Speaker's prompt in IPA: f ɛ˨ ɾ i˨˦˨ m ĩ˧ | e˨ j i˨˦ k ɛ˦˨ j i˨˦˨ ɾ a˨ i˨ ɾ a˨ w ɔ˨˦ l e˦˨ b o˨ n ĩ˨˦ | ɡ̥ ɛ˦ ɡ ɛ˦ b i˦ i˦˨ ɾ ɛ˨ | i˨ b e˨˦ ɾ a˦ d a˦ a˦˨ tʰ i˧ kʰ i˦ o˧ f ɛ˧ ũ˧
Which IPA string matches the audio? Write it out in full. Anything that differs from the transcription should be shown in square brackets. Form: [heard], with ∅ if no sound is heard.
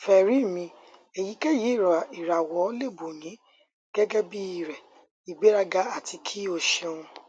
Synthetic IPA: f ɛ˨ ɾ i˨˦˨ m ĩ˧ | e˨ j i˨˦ k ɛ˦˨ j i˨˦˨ ɾ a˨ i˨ ɾ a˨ w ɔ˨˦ l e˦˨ b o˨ n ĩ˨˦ | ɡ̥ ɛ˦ ɡ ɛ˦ b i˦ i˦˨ ɾ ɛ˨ | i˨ [ɡ͡b] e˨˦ ɾ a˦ [ɡ] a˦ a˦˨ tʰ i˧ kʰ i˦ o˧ [ʃ] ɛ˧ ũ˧